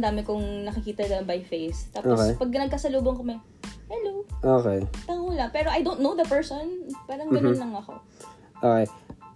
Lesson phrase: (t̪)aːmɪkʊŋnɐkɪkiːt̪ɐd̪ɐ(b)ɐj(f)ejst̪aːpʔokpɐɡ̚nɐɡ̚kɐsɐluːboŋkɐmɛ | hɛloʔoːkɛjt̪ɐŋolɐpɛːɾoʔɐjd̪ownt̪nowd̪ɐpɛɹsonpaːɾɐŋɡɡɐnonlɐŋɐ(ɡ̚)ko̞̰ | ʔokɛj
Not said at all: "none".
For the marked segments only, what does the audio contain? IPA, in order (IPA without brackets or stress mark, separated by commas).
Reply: d̪, b, f, none